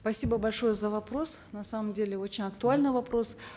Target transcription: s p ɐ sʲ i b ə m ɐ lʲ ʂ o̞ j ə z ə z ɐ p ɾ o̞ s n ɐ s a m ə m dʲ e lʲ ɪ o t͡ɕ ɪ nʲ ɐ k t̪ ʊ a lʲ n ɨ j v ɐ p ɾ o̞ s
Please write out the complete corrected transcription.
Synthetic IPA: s p ɐ sʲ i b ə b ɐ lʲ ʂ o̞ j ə z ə v ɐ p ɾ o̞ s n ɐ s a m ə m dʲ e lʲ ɪ o t͡ɕ ɪ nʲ ɐ k t̪ ʊ a lʲ n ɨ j v ɐ p ɾ o̞ s